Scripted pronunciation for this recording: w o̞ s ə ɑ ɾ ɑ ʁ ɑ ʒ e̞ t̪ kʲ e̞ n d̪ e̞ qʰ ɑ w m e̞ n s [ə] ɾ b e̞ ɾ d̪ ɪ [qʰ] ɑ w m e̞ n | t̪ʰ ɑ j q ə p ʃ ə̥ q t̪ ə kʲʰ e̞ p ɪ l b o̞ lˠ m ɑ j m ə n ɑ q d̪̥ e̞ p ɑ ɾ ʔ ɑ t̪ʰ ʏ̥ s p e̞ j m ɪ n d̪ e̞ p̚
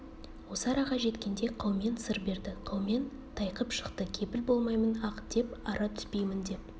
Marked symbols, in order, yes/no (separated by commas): yes, yes